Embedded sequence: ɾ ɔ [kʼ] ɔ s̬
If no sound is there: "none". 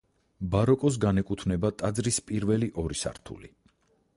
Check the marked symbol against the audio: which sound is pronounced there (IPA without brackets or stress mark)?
kʼ